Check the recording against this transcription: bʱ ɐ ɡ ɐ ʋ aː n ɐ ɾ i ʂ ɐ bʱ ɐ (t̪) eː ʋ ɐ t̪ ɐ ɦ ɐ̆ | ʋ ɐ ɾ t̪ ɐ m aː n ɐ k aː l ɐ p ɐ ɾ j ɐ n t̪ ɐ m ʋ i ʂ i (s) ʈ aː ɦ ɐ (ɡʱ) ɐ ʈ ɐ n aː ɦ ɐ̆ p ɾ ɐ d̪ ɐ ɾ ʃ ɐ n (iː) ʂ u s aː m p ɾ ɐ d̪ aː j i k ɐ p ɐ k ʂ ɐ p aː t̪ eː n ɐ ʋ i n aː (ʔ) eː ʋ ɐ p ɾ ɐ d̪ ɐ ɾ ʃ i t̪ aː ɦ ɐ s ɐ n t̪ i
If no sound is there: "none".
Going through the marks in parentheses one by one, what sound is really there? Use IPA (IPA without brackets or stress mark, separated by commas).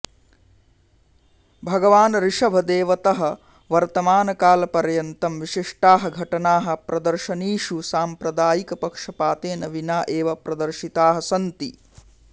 d̪, ʂ, ɡʱ, iː, ʔ